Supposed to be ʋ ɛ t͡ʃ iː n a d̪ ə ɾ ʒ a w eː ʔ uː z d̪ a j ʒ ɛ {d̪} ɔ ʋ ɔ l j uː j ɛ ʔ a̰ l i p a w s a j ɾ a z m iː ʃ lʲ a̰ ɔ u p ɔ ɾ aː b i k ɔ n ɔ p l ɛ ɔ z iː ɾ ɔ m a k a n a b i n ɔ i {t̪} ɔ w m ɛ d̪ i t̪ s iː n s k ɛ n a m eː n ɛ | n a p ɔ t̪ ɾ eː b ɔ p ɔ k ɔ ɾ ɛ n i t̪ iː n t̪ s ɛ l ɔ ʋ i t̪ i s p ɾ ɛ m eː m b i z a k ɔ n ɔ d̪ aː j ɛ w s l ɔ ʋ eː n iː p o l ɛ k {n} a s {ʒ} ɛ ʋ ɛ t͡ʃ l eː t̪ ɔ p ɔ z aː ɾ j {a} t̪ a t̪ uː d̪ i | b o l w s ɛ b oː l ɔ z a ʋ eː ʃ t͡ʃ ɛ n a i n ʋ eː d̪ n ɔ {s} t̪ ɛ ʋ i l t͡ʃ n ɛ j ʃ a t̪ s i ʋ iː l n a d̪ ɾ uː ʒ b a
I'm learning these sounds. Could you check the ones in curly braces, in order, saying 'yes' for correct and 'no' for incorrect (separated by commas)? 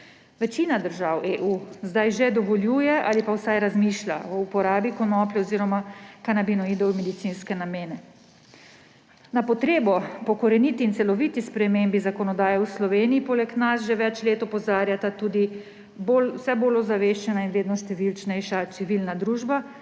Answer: yes, no, yes, yes, yes, no